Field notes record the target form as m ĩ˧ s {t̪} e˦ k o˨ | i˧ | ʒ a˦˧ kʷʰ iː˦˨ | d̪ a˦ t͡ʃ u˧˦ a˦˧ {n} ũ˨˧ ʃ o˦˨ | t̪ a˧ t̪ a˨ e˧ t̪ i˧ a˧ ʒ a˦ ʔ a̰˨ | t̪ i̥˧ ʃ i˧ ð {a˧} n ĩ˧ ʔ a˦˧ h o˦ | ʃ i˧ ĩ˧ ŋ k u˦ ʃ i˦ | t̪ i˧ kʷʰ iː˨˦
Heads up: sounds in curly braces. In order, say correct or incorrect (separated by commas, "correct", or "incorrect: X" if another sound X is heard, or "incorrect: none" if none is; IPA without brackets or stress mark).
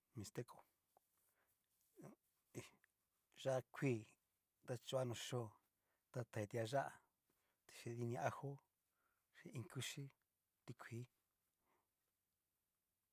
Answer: correct, correct, incorrect: i˧